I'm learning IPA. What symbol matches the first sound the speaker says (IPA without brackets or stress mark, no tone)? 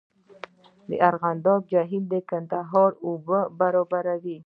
d̪